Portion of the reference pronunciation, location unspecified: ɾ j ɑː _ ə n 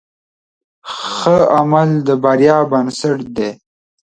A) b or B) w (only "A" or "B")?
A